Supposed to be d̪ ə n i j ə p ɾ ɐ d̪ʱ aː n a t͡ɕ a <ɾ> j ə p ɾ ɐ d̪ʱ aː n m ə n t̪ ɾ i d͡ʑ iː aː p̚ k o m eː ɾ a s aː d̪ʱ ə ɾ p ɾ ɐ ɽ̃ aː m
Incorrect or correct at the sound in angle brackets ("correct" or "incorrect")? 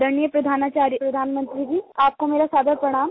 correct